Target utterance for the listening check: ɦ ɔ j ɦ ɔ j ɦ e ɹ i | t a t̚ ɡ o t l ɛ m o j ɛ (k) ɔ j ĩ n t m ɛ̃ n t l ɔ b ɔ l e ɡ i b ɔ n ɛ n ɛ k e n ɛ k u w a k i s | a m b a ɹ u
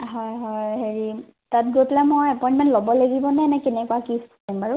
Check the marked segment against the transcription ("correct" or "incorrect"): incorrect